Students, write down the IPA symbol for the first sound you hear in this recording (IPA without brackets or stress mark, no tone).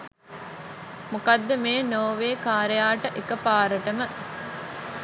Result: m